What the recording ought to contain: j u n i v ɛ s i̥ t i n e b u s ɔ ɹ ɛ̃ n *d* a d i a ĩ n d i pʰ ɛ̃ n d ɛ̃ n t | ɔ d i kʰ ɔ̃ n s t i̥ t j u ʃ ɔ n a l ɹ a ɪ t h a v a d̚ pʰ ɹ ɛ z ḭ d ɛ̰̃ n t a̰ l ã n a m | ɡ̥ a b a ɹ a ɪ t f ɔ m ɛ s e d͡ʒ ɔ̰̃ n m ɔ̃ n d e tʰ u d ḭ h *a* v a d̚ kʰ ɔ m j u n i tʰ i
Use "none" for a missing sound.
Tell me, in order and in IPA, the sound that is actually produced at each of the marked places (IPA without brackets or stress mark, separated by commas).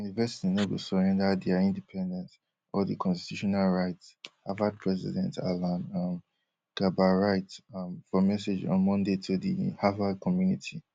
d, a